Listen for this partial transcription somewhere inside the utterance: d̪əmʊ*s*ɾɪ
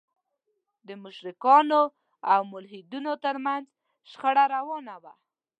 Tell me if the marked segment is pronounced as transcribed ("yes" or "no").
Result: no